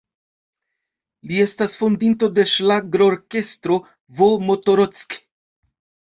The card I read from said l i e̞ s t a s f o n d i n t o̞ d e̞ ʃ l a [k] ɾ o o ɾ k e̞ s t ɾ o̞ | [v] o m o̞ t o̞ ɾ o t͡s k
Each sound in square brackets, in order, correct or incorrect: incorrect: ɡ, correct

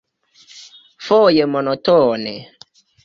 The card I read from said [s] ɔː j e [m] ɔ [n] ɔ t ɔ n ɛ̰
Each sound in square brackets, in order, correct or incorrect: incorrect: f, correct, correct

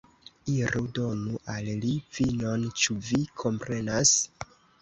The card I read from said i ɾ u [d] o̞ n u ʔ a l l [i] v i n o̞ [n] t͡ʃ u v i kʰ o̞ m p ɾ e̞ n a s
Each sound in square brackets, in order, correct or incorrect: correct, correct, correct

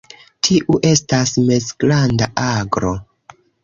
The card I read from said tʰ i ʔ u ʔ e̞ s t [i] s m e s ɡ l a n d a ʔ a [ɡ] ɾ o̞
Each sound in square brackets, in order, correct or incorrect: incorrect: a, correct

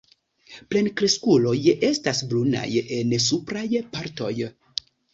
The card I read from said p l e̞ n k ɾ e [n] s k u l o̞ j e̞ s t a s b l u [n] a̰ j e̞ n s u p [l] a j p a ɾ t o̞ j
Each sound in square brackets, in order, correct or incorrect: incorrect: none, correct, incorrect: ɾ

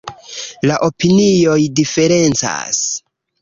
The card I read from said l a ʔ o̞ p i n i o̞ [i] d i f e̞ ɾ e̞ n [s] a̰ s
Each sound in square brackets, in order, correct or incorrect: incorrect: j, incorrect: t͡s

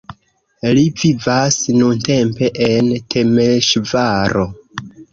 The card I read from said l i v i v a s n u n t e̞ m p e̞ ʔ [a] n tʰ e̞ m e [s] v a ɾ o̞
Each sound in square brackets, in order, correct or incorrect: incorrect: e, incorrect: ʃ

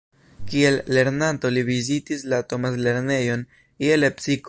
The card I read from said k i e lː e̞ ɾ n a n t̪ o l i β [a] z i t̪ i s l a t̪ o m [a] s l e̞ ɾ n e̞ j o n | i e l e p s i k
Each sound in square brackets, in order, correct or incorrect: incorrect: i, correct

